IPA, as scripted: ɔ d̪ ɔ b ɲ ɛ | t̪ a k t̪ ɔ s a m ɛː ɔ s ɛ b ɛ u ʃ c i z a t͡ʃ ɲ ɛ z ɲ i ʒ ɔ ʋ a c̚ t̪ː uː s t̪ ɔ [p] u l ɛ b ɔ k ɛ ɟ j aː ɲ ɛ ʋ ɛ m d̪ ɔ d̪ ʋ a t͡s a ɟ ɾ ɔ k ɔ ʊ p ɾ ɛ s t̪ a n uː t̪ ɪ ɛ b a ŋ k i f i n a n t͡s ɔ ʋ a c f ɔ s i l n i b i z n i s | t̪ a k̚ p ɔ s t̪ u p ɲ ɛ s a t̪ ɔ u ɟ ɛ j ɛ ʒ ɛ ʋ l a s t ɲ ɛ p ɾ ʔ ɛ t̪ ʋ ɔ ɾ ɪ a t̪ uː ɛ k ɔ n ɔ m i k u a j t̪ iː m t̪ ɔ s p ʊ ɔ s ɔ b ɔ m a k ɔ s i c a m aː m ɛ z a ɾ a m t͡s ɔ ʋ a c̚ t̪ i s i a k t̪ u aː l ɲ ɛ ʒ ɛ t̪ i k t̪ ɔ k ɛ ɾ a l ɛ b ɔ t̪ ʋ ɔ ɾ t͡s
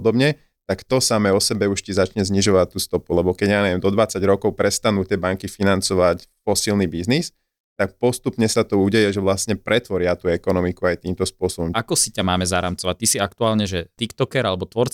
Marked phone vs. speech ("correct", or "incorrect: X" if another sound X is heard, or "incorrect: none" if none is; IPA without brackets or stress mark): correct